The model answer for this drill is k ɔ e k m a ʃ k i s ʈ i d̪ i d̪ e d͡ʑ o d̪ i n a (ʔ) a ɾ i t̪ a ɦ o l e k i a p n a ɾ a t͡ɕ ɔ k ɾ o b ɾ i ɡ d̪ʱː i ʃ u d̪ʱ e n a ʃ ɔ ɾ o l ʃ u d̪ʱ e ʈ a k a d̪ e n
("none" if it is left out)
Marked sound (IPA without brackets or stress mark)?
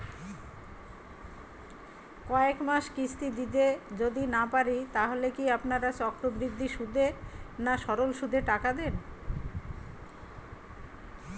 p